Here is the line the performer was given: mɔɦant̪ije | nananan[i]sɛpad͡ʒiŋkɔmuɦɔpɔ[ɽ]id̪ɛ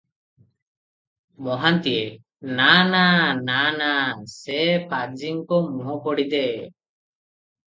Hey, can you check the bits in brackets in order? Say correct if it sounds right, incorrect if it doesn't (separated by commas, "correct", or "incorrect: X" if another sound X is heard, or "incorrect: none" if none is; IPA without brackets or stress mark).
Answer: incorrect: a, correct